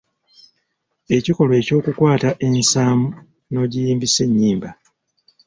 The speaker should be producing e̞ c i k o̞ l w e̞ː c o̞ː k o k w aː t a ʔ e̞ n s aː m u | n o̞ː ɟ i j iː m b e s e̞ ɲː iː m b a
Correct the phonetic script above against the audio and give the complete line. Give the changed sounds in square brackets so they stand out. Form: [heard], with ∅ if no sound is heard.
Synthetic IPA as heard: e̞ c i k o̞ l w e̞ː c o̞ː k [u] k w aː t a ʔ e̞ n s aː m u | n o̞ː ɟ i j iː m b [i] s e̞ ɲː iː m b a